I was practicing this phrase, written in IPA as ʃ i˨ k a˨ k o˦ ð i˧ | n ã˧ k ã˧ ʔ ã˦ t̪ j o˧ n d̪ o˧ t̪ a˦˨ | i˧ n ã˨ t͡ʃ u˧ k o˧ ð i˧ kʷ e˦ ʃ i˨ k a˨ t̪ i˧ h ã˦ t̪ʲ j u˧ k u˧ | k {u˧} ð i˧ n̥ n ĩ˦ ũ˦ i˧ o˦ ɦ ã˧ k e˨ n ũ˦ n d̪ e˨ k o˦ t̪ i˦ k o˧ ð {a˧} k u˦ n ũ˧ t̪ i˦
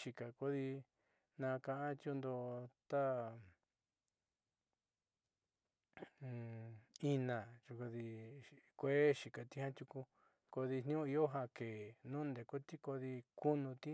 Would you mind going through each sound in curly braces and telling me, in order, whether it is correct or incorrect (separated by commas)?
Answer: incorrect, incorrect